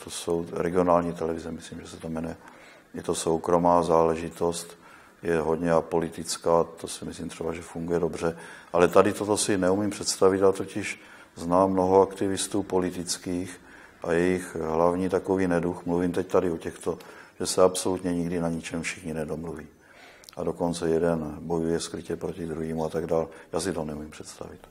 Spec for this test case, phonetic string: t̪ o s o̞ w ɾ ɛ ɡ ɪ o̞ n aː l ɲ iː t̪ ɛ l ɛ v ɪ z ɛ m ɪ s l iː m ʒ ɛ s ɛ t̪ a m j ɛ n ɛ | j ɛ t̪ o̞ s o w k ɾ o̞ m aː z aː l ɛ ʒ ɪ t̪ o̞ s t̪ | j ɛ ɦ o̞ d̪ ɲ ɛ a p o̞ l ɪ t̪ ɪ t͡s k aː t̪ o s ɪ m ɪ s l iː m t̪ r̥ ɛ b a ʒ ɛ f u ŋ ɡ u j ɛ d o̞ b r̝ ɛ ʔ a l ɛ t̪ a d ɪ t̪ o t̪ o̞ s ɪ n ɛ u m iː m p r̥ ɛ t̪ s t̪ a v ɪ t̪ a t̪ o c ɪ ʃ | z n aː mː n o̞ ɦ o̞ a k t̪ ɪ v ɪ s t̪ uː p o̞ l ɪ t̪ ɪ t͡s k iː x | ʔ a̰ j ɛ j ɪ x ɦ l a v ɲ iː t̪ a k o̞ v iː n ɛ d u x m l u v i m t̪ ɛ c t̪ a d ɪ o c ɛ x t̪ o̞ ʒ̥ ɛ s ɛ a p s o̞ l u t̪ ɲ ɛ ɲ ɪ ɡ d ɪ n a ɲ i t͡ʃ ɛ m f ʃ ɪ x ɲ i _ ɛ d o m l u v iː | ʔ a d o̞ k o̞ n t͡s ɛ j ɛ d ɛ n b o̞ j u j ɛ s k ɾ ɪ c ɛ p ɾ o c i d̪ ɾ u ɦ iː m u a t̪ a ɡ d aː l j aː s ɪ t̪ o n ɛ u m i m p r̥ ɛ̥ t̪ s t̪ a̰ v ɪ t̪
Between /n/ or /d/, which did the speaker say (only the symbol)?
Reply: n